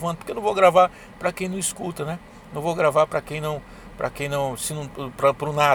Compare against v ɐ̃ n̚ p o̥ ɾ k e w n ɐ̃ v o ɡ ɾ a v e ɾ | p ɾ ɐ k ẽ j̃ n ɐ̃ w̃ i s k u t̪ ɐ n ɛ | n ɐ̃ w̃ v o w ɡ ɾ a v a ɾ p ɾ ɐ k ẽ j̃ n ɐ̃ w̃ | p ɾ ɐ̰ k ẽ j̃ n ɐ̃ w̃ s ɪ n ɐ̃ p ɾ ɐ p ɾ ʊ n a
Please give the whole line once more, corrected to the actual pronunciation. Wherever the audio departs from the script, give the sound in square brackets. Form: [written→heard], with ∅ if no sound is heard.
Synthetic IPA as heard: v ɐ̃ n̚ p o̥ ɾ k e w n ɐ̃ v o ɡ ɾ a v [e→a] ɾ | p ɾ ɐ k ẽ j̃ n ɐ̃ w̃ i s k u t̪ ɐ n ɛ | n ɐ̃ w̃ v o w ɡ ɾ a v a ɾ p ɾ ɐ k ẽ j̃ n ɐ̃ w̃ | p ɾ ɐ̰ k ẽ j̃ n ɐ̃ w̃ s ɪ n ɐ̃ p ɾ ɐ p ɾ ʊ n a